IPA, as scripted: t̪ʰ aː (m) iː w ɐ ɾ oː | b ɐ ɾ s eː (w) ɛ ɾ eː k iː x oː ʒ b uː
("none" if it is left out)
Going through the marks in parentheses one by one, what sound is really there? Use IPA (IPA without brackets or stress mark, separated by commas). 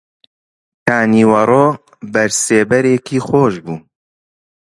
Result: n, b